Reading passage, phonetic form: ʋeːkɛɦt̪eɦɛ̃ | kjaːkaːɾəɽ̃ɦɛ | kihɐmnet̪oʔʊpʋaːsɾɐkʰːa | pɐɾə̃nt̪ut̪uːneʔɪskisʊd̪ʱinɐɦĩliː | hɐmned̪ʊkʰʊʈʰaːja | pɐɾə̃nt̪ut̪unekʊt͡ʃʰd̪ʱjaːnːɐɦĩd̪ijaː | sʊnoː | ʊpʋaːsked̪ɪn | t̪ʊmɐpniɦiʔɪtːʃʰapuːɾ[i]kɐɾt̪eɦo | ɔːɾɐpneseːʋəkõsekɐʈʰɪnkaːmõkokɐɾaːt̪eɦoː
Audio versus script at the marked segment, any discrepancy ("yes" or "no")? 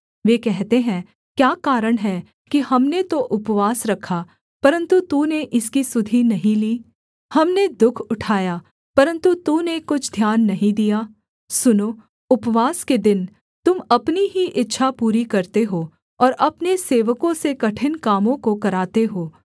no